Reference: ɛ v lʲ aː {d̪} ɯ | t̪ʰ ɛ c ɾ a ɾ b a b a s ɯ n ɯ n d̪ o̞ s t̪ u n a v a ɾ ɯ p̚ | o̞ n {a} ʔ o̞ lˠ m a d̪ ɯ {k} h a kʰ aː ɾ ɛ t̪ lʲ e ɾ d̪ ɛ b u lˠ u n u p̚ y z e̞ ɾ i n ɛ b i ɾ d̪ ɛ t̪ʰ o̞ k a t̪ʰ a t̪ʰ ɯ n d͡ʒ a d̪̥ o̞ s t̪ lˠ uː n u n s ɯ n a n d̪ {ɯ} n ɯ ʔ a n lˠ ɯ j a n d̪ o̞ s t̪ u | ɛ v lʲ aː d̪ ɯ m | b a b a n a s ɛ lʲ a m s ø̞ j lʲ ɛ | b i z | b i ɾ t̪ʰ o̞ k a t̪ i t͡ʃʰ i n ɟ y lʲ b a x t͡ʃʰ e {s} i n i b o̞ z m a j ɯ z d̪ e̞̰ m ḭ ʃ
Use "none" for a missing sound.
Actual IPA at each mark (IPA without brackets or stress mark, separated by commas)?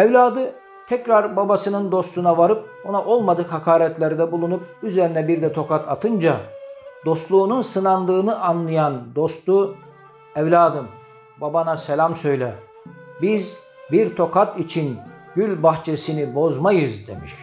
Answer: d̪, a, k, ɯː, s